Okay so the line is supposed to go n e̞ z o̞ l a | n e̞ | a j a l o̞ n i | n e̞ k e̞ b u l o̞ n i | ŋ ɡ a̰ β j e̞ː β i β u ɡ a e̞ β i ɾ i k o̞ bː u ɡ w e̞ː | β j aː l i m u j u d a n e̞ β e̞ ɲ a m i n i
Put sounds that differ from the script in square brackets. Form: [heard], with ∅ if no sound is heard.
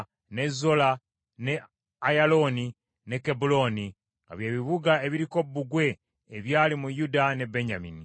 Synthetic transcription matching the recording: n e̞ z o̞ l a | n e̞ | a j a l o̞ n i | n e̞ k e̞ b u l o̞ n i | ŋ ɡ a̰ β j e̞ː β i β u ɡ a e̞ β i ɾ i k o̞ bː u ɡ w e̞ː | β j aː l i m u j u d a n e̞ [b] e̞ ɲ a m i n i

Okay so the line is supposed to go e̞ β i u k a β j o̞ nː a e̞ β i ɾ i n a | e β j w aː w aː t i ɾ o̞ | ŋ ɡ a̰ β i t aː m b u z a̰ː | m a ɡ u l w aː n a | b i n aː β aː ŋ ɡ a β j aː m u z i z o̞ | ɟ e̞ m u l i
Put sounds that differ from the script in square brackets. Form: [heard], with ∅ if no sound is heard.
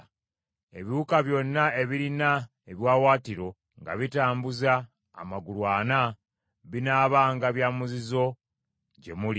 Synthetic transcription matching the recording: e̞ β i u k a β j o̞ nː a e̞ β i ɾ i n a | e β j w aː w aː t i ɾ o̞ | ŋ ɡ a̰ β i t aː m b u z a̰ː | m a ɡ u l w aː n a | [β] i n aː β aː ŋ ɡ a β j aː m u z i z o̞ | ɟ e̞ m u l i

